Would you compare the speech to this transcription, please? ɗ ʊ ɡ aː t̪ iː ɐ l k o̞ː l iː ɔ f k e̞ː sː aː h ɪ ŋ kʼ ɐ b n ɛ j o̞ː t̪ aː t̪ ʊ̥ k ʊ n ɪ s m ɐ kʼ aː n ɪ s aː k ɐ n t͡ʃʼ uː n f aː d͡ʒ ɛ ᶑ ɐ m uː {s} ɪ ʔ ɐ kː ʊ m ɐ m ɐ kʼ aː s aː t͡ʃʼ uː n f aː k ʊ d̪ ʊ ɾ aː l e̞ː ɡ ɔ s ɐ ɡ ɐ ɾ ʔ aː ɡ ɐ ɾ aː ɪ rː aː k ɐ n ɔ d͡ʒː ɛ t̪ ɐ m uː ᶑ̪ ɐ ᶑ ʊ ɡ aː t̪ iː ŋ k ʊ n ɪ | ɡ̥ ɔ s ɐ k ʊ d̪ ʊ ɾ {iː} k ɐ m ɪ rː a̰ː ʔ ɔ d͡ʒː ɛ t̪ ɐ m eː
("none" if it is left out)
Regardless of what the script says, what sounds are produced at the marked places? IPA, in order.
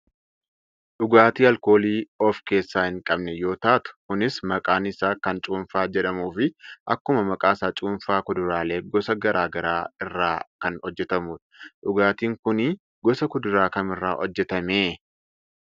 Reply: f, aː

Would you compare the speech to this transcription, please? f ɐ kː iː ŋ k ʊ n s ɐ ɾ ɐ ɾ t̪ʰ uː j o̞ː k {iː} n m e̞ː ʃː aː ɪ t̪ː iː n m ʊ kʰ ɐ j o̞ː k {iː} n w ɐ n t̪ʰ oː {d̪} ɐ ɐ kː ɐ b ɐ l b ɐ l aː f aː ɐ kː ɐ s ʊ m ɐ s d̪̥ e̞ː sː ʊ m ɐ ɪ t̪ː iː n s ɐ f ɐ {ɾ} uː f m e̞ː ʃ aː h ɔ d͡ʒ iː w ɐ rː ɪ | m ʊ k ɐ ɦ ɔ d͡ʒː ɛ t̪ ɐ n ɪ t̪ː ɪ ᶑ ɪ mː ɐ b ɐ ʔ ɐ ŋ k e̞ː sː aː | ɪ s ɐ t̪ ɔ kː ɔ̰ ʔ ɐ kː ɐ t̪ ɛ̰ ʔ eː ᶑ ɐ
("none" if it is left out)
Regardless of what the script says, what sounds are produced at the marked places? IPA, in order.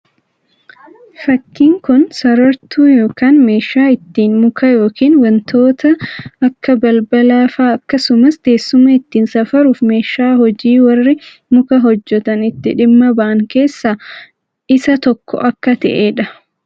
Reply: aː, iː, t̪, ɾ

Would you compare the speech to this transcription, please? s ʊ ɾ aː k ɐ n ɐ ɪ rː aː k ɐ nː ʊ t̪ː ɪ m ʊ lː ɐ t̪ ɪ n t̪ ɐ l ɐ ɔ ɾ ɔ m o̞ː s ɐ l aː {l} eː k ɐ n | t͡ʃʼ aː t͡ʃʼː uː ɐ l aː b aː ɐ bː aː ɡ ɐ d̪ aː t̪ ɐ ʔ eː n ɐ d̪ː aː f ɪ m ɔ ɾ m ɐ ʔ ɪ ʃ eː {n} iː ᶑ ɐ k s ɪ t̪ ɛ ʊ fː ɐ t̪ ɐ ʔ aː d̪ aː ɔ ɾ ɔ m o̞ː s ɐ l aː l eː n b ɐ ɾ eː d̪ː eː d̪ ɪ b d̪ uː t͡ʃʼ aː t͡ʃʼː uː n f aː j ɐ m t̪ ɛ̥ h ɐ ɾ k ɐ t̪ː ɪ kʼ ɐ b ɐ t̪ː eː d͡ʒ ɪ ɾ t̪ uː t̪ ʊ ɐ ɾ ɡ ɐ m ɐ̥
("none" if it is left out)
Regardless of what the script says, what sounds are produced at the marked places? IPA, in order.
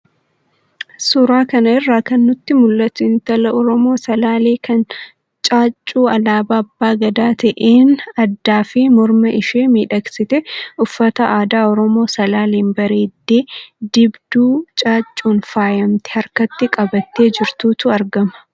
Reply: l, m

